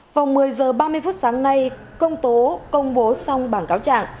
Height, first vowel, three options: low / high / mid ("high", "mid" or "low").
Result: low